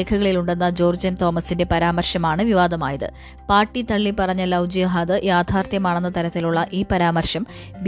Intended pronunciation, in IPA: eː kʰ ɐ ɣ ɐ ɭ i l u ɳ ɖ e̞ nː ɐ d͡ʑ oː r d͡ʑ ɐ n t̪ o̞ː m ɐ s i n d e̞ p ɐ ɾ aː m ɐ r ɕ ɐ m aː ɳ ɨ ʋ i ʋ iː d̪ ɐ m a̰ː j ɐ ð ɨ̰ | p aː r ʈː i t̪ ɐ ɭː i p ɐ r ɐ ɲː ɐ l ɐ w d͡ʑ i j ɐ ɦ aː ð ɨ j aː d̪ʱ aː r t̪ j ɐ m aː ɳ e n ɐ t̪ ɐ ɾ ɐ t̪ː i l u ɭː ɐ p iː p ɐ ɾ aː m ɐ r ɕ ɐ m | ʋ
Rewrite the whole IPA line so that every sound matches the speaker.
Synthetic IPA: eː kʰ ɐ ɣ ɐ ɭ i l u ɳ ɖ e̞ nː ɐ d͡ʑ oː r d͡ʑ ɐ n t̪ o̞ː m ɐ s i n d e̞ p ɐ ɾ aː m ɐ r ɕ ɐ m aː ɳ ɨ ʋ i ʋ aː d̪ ɐ m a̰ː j ɐ ð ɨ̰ | p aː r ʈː i t̪ ɐ ɭː i p ɐ r ɐ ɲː ɐ l ɐ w d͡ʑ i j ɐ ɦ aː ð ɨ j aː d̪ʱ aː r t̪ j ɐ m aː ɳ e nː ɐ t̪ ɐ ɾ ɐ t̪ː i l u ɭː ɐ ʔ iː p ɐ ɾ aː m ɐ r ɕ ɐ m | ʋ